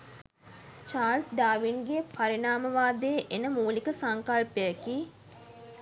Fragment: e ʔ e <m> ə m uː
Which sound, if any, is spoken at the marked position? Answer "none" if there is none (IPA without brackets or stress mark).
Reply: n